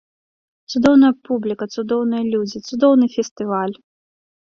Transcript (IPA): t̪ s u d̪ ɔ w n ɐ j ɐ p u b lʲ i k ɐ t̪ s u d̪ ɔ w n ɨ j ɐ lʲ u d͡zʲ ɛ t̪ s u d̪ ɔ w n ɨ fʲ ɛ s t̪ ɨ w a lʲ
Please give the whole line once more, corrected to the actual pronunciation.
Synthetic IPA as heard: t̪ s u d̪ ɔ w n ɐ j ɐ p u b lʲ i k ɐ t̪ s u d̪ ɔ w n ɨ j ɐ lʲ u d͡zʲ i t̪ s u d̪ ɔ w n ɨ fʲ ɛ s t̪ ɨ v a lʲ